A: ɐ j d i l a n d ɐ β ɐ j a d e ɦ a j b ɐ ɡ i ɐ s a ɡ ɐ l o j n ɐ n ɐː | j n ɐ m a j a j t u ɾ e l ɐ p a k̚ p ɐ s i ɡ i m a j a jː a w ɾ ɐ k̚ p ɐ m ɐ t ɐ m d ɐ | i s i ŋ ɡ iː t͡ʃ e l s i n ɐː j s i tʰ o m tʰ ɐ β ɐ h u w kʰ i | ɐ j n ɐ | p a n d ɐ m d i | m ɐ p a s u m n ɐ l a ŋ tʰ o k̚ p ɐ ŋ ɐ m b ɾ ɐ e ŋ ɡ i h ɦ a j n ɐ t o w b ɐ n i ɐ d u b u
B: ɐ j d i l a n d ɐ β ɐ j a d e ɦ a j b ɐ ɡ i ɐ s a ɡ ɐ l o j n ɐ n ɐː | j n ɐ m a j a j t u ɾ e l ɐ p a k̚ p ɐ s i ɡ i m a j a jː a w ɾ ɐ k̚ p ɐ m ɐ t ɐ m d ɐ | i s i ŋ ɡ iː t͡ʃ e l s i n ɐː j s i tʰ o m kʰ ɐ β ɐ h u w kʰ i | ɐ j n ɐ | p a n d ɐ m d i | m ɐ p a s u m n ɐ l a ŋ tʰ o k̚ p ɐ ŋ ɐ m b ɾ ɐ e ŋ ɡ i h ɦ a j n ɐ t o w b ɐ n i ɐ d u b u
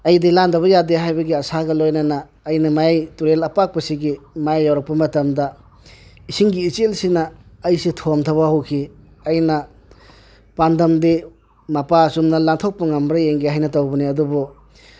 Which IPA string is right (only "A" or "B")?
A